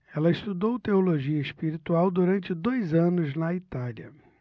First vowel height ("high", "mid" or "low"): mid